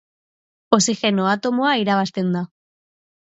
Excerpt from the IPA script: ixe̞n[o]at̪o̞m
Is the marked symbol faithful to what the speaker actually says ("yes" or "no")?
yes